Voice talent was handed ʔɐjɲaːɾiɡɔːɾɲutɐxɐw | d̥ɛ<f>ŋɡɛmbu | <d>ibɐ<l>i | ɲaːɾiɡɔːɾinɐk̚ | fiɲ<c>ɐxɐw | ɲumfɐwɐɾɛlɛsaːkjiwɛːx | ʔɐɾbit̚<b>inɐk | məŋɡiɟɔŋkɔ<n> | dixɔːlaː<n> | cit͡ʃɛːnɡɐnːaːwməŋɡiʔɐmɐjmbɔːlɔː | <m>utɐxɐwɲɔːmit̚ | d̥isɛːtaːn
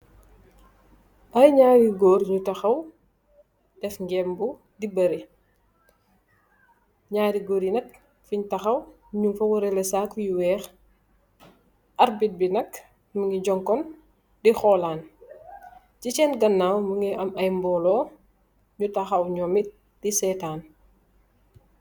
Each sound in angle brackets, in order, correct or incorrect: correct, correct, incorrect: ɾ, incorrect: t, correct, correct, correct, incorrect: ɲ

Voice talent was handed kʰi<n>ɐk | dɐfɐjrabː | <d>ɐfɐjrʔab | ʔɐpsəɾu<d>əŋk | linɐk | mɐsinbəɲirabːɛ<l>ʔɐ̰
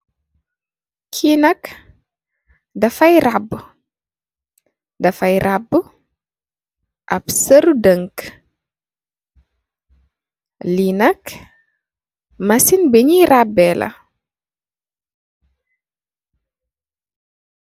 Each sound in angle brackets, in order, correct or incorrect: correct, correct, correct, correct

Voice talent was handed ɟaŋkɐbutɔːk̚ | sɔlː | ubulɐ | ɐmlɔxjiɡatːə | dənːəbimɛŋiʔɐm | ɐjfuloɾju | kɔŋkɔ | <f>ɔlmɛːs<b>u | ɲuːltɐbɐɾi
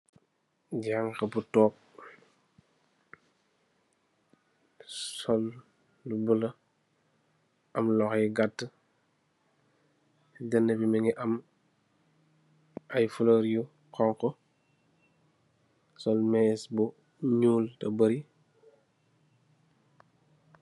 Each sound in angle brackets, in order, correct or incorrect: incorrect: s, correct

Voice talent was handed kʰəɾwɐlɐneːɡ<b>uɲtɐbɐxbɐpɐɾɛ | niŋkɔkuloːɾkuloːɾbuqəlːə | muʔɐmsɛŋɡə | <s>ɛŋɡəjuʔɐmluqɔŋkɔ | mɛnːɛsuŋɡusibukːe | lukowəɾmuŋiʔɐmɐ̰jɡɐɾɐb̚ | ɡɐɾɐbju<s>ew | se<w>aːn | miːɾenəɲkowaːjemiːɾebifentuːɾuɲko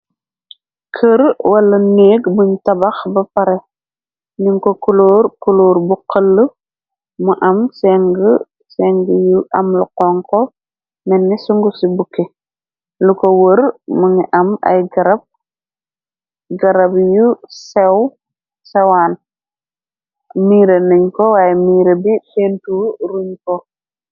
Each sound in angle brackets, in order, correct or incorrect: correct, correct, correct, correct

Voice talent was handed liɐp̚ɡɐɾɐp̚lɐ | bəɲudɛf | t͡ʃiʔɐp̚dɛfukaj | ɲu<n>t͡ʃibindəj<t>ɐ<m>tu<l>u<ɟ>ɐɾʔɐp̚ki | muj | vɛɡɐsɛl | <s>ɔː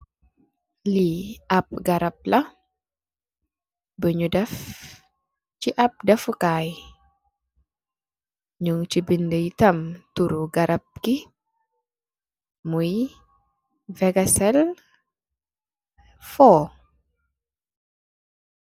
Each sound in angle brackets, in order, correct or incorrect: incorrect: ŋ, correct, correct, incorrect: ɾ, incorrect: ɡ, incorrect: f

